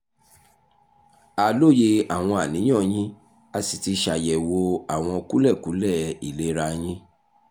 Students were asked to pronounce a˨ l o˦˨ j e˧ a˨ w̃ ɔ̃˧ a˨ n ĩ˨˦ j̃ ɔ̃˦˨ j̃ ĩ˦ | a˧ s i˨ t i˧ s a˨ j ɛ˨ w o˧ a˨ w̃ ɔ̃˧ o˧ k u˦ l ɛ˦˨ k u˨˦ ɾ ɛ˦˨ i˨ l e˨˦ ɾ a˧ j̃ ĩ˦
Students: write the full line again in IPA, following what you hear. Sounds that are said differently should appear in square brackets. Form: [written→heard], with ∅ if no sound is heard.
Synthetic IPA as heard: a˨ l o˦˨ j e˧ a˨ w̃ ɔ̃˧ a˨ n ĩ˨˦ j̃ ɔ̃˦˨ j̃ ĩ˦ | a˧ s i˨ t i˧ [s→ʃ] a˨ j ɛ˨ w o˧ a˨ w̃ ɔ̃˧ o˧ k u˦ l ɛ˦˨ k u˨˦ [ɾ→l] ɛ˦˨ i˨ l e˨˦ ɾ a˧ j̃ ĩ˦

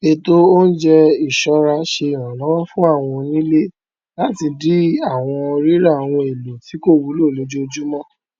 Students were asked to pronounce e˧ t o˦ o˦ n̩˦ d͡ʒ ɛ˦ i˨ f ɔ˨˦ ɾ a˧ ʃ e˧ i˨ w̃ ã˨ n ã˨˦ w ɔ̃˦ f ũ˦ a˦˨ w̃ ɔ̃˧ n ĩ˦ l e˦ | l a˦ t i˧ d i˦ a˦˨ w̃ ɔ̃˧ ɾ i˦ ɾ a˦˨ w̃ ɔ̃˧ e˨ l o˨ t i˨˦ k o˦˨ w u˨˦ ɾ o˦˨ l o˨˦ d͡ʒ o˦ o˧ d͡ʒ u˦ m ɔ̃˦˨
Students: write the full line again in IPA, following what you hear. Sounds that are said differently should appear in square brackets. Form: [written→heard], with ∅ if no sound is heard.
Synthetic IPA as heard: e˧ t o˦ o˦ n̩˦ d͡ʒ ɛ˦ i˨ [f→ʃ] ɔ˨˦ ɾ a˧ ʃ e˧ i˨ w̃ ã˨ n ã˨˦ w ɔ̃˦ f ũ˦ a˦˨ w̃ ɔ̃˧ n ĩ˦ l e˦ | l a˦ t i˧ d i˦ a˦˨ w̃ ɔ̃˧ ɾ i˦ ɾ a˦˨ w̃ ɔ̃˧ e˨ l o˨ t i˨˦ k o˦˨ w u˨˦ [ɾ→l] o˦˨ l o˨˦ d͡ʒ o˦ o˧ d͡ʒ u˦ m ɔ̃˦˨

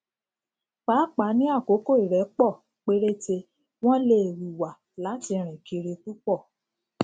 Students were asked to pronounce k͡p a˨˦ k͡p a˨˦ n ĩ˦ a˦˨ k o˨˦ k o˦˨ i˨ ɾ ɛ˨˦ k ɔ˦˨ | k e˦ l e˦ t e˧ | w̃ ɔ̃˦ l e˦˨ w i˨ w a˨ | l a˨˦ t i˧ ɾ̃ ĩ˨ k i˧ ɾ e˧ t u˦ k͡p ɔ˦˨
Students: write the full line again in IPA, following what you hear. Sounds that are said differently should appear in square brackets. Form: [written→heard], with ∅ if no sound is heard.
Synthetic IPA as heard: k͡p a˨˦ k͡p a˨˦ n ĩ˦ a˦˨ k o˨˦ k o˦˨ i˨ ɾ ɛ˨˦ [k→k͡p] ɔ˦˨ | [k→k͡p] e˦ [l→ɾ] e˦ t e˧ | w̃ ɔ̃˦ l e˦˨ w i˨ w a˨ | l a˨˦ t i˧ ɾ̃ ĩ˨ k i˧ ɾ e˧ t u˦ k͡p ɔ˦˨

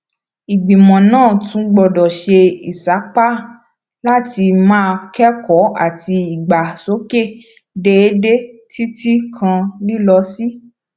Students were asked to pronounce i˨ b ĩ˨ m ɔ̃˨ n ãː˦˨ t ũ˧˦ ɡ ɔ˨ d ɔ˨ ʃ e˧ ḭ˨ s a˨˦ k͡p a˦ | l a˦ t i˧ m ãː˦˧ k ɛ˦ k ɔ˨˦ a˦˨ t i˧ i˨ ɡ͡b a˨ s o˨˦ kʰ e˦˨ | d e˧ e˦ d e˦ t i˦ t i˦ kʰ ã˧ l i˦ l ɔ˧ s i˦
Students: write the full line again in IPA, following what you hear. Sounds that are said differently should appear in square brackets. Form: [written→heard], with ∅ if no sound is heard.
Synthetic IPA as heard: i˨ [b→ɡ͡b] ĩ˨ m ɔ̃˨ n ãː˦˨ t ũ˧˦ [ɡ→ɡ͡b] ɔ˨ d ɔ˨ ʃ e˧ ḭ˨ s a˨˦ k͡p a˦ | l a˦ t i˧ m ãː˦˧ k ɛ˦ k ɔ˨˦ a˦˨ t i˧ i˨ ɡ͡b a˨ s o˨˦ [kʰ→k] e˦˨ | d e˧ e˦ d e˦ t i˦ t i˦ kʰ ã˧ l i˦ l ɔ˧ s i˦

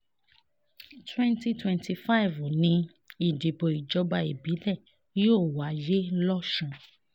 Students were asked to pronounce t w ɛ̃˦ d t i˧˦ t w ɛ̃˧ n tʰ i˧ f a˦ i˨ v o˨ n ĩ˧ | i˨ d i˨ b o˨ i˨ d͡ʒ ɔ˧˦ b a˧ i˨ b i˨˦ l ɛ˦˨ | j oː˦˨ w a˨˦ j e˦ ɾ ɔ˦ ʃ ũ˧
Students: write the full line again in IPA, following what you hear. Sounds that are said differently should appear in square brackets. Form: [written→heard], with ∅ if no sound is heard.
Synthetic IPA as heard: t w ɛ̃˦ [d→n] t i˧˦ t w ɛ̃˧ n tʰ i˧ f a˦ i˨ v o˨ n ĩ˧ | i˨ d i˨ b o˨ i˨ d͡ʒ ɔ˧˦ b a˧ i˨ b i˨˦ l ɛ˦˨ | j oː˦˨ w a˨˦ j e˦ [ɾ→l] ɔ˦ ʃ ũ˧

